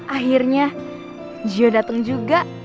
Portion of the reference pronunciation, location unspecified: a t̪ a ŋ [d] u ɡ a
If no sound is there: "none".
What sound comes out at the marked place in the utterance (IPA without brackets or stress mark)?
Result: d͡ʒ